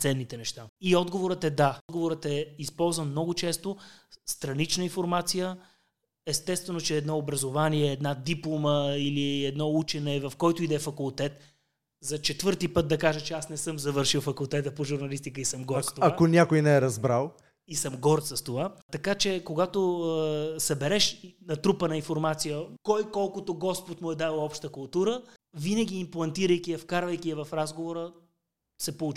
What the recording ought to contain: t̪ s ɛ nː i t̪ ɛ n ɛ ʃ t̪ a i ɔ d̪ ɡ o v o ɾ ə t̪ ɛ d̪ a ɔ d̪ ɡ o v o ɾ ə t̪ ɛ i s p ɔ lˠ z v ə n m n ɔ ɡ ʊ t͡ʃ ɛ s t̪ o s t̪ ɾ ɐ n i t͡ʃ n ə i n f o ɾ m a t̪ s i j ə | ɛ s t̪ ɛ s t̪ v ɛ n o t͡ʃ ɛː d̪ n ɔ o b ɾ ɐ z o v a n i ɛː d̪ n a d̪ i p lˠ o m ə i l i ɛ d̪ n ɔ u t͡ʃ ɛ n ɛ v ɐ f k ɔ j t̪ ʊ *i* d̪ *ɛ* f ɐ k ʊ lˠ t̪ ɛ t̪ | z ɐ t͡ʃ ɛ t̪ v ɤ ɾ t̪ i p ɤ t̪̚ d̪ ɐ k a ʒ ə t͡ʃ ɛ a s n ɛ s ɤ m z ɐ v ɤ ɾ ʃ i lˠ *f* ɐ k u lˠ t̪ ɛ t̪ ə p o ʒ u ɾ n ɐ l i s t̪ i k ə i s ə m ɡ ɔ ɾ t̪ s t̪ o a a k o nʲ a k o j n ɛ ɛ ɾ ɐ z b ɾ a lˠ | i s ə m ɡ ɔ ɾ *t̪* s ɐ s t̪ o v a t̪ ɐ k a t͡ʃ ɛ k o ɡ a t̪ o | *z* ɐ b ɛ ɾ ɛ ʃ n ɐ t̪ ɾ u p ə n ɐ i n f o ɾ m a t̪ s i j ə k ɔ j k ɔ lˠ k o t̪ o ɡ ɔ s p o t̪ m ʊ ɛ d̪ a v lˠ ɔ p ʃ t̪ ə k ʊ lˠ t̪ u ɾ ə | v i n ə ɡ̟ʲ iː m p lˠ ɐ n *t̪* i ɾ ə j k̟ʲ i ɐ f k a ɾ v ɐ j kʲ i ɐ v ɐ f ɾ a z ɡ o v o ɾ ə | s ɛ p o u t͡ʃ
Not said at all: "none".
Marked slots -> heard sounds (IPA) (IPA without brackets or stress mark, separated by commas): i, ɛ, f, t̪, s, t̪